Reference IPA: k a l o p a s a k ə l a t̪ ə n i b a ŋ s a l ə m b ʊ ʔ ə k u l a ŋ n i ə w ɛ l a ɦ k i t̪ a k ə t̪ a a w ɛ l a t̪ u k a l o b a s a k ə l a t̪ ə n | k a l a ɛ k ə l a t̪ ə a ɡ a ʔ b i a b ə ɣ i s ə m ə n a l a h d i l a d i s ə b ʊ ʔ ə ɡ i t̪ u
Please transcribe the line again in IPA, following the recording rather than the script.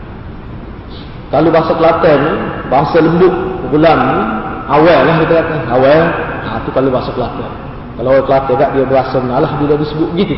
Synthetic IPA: k a l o b a s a k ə l a t̪ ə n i b a ŋ s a l ə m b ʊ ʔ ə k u l a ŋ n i a w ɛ l a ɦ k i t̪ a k a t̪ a a w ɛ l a t̪ u k a l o b a s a k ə l a t̪ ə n | k a l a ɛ k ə l a t̪ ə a ɡ a ʔ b i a b ə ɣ a s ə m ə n a l a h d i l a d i s ə b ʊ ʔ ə ɡ i t̪ u